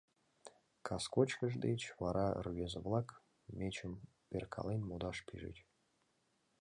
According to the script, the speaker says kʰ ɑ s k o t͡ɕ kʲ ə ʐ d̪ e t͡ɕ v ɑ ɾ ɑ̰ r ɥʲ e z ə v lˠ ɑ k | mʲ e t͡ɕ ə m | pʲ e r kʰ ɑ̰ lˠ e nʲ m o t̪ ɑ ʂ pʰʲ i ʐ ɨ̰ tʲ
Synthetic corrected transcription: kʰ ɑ s k o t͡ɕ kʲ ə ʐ d̪ e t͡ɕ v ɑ ɾ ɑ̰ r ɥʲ e z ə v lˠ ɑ k | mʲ e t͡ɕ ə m | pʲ e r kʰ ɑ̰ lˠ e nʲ m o d̪ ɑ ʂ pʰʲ i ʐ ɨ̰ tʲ